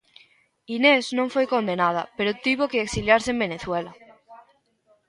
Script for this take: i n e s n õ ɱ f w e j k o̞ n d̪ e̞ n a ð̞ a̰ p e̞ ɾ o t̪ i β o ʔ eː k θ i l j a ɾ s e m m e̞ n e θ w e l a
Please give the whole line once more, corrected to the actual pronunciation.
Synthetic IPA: i n e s n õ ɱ f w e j k o̞ n d̪ e̞ n a ð̞ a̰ p e̞ ɾ o t̪ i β o k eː k s i l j a ɾ s e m b e̞ n e θ w e l a